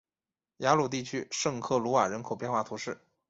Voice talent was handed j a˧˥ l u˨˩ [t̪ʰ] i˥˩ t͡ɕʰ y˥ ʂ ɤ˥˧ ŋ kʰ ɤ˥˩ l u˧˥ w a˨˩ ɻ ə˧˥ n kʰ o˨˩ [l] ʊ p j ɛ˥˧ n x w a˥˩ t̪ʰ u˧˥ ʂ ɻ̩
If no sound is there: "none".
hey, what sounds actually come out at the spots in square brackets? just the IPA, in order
t̪, none

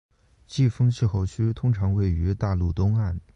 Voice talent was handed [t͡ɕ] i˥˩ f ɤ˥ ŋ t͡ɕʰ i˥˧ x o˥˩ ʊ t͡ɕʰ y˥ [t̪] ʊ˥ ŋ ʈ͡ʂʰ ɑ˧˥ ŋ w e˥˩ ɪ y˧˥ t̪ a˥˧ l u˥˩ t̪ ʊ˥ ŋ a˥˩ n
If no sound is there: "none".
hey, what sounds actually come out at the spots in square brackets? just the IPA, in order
t͡ɕ, t̪ʰ

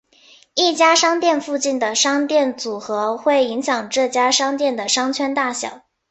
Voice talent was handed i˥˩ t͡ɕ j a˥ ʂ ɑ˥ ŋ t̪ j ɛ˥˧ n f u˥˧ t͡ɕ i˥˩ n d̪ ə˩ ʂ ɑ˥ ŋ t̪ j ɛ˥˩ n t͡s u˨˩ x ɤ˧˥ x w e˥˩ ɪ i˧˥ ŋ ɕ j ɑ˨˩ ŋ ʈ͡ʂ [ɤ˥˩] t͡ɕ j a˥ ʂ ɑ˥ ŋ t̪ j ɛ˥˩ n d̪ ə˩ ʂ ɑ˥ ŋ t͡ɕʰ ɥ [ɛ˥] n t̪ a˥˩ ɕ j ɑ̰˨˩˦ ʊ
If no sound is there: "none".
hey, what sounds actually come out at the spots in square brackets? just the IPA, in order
ɤ˥˩, ɛ˥

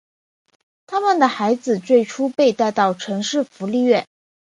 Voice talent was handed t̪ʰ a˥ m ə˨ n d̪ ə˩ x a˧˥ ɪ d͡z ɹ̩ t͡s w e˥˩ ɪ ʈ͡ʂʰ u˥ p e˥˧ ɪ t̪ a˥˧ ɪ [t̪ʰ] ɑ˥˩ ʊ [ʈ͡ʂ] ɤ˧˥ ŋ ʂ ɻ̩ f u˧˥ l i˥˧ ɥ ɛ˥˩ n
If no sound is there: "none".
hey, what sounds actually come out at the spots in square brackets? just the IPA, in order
t̪, ʈ͡ʂʰ

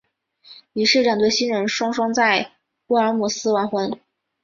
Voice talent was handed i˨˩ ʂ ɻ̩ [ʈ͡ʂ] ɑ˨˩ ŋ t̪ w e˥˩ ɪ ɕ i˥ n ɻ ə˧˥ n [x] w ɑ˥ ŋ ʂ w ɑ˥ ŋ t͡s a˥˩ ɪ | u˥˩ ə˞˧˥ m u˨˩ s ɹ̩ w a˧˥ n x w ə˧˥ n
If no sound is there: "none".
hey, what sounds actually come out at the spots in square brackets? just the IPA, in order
ʈ͡ʂ, ʂ

